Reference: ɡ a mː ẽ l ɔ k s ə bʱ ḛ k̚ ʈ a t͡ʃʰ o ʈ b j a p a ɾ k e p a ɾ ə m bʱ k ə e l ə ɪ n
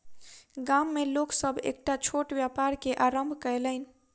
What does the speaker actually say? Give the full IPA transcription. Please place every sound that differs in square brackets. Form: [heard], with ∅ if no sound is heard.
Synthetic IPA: ɡ a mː [e] l [o] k s ə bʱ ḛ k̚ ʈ a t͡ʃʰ o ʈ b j a p a ɾ k e [ʔ] a ɾ ə m bʱ k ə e l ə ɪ n